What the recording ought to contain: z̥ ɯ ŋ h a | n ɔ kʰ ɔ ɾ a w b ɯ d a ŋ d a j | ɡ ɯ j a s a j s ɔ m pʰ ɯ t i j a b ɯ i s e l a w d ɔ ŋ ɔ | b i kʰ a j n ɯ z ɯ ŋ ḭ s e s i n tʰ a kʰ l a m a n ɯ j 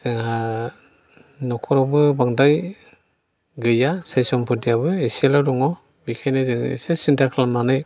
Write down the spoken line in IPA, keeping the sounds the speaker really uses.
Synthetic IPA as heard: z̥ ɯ ŋ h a | n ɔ kʰ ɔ ɾ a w b ɯ b a ŋ d a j | ɡ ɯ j a s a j s ɔ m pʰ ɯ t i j a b ɯ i s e l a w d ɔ ŋ ɔ | b i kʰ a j n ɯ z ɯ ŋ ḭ s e s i n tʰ a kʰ l a m a n ɯ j